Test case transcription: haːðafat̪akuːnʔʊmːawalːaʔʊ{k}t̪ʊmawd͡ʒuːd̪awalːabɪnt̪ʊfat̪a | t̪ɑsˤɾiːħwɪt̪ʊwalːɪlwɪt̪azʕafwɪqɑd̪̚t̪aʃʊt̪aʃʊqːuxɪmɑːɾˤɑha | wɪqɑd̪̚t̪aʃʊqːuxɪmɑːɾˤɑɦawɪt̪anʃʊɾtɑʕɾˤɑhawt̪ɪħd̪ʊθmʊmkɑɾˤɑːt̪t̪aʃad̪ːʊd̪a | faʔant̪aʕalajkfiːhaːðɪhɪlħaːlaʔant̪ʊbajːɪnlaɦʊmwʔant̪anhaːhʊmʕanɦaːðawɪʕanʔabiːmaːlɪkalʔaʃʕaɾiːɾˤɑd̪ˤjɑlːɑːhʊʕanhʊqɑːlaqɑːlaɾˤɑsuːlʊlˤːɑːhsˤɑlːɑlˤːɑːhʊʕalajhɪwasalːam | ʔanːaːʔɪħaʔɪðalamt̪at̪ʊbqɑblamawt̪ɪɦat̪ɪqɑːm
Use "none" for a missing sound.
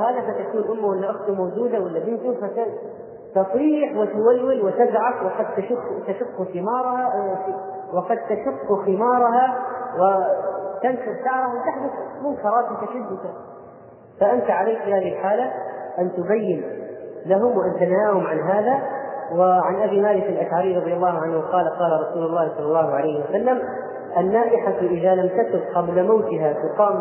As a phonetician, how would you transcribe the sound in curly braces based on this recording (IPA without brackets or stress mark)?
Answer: x